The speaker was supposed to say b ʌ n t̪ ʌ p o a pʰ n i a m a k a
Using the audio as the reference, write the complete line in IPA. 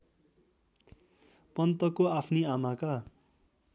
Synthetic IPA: p ʌ n t̪ ʌ k o a pʰ n i a m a k a